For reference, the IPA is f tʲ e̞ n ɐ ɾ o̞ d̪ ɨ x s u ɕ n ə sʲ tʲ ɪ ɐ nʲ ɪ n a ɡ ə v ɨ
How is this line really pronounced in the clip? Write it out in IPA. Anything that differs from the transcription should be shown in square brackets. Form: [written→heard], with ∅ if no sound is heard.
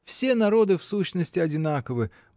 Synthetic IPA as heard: f [tʲ→sʲ] e̞ n ɐ ɾ o̞ d̪ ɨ [x→f] s u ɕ n ə sʲ tʲ ɪ ɐ [nʲ→dʲ] ɪ n a [ɡ→k] ə v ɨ